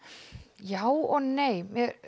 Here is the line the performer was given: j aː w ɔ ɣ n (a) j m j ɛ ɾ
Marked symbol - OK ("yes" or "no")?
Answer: no